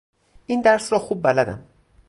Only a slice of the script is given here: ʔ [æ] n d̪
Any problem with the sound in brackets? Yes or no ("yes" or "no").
yes